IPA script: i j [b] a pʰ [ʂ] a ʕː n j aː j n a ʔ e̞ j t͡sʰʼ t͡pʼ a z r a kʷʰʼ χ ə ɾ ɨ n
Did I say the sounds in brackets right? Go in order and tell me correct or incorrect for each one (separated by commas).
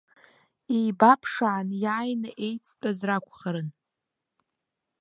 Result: correct, correct